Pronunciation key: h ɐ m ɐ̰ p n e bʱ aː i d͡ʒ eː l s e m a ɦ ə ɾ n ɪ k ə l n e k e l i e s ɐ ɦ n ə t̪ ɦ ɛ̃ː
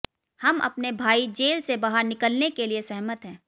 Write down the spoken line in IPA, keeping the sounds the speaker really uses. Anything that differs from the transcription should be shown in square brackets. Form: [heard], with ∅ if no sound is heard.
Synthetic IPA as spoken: h ɐ m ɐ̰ p n e bʱ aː i d͡ʒ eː l s e [b] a ɦ ə ɾ n ɪ k ə l n e k e l i e s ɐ ɦ [m] ə t̪ ɦ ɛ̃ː